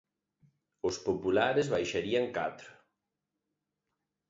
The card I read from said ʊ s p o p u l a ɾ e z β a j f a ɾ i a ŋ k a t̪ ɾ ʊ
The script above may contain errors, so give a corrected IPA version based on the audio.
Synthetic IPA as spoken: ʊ s p o p u l a ɾ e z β a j ʃ a ɾ i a ŋ k a t̪ ɾ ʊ

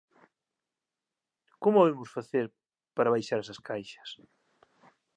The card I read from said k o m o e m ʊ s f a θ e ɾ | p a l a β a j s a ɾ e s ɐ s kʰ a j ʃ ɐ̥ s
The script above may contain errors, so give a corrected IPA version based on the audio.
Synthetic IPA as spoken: k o m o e m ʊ s f a θ e ɾ | p a ɾ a β a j ʃ a ɾ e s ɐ s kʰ a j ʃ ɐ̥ s

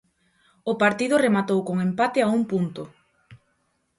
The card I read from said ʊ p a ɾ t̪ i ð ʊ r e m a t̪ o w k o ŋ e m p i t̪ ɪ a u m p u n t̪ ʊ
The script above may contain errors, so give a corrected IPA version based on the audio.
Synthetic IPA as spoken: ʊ p a ɾ t̪ i ð ʊ r e m a t̪ o w k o ŋ e m p a t̪ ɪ a u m p u n t̪ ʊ

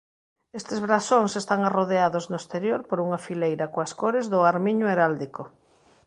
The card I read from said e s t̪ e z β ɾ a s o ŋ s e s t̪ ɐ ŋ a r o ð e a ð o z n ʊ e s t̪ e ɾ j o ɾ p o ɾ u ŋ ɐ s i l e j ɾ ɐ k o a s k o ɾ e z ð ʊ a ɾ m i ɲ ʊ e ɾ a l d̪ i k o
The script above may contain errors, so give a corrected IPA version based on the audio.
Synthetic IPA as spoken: e s t̪ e z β ɾ a s o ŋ s e s t̪ a ŋ a r o ð e a ð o z n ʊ e s t̪ e ɾ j o ɾ p o ɾ u ŋ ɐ f i l e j ɾ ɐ k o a s k o ɾ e z ð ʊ a ɾ m i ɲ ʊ e ɾ a l d̪ i k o

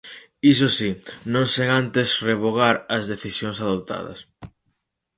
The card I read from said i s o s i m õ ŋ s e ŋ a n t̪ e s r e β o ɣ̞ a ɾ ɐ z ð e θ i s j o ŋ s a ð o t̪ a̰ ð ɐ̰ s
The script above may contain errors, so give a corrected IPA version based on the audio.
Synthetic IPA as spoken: i s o s i n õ ŋ s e ŋ a n t̪ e s r e β o ɣ̞ a ɾ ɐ z ð e θ i s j o ŋ s a ð o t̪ a̰ ð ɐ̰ s

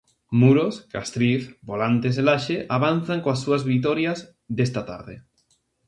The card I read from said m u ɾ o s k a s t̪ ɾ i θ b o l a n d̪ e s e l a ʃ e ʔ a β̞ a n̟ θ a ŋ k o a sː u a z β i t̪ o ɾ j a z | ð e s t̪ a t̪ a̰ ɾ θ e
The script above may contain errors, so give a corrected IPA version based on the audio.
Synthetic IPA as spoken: m u ɾ o s k a s t̪ ɾ i θ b o l a n t̪ e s e l a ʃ e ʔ a β̞ a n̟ θ a ŋ k o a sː u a z β i t̪ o ɾ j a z | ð e s t̪ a t̪ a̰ ɾ ð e

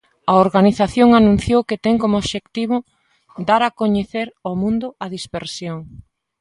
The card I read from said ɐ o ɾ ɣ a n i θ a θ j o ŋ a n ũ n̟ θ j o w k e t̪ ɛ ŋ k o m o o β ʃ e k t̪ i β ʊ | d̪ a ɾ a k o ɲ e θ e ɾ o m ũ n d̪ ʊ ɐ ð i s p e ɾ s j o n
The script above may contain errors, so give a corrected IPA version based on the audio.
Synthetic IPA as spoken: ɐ o ɾ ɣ a n i θ a θ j o ŋ a n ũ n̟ θ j o w k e t̪ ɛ ŋ k o m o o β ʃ e k t̪ i β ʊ | d̪ a ɾ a k o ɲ e θ e ɾ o m ũ n d̪ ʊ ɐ ð i s p e ɾ s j o ŋ

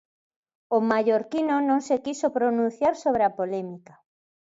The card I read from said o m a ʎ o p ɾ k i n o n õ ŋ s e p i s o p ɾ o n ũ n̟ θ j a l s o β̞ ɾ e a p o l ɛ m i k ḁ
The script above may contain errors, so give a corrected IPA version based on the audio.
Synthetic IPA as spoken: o m a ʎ o ɾ k i n o n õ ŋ s e k i s o p ɾ o n ũ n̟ θ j a ɾ s o β̞ ɾ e a p o l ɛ m i k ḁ

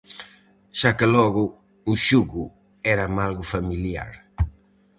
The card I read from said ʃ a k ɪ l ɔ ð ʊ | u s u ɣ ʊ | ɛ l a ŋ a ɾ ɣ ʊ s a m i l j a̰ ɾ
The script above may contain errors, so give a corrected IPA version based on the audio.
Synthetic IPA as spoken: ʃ a k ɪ l ɔ ɣ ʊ | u ʃ u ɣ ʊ | ɛ ɾ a m a l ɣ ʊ f a m i l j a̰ ɾ

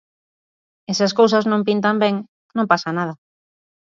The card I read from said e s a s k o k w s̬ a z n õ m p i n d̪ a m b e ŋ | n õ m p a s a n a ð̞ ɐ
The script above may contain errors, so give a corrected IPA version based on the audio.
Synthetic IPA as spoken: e s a s k o w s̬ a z n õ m p i n t̪ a m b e ŋ | n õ m p a s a n a ð̞ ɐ

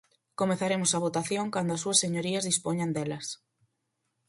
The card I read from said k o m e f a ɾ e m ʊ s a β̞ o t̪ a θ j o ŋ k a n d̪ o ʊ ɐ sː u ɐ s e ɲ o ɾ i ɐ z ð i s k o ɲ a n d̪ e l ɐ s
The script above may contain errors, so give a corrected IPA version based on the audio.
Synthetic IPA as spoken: k o m e θ a ɾ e m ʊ s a β̞ o t̪ a θ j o ŋ k a n d̪ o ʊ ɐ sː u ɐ s e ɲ o ɾ i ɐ z ð i s p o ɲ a n d̪ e l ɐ s

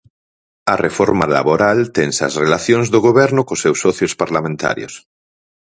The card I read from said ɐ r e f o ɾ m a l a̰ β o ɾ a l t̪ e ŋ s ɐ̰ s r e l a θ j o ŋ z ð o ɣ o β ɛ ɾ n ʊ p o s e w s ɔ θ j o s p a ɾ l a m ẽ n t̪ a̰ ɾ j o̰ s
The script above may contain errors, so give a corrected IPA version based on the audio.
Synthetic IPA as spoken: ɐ r e f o ɾ m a l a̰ β o ɾ a l t̪ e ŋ s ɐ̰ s r e l a θ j o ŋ z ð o ɣ o β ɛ ɾ n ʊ k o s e w s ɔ θ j o s p a ɾ l a m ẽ n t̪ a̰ ɾ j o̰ s

